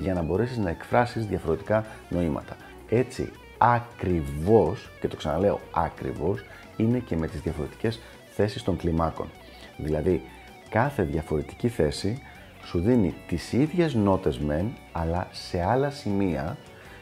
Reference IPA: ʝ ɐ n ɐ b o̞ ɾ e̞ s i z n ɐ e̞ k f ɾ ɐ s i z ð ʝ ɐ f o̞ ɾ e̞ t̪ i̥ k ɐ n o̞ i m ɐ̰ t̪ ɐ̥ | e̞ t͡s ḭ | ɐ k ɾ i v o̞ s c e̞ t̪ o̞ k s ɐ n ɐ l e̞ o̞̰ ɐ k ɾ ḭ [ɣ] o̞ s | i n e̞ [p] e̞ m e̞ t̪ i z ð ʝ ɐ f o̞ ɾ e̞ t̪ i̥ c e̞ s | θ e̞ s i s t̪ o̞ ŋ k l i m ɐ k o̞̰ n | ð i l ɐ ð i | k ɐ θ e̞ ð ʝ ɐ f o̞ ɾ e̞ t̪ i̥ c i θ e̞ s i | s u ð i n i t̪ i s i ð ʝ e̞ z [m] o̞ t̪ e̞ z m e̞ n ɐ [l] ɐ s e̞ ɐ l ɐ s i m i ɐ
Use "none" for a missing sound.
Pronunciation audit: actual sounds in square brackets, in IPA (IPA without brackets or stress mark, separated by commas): v, c, n, l